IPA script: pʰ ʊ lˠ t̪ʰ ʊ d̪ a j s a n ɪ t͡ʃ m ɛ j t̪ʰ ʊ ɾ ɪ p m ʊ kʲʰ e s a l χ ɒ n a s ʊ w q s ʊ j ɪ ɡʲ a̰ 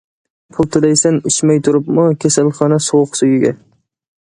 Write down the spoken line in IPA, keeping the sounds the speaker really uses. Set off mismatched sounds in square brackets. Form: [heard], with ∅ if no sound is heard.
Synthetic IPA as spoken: pʰ ʊ lˠ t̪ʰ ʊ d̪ a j s a n ɪ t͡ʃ m [a] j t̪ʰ ʊ ɾ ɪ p m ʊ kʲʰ e s a l χ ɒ n a s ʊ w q s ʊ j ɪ ɡʲ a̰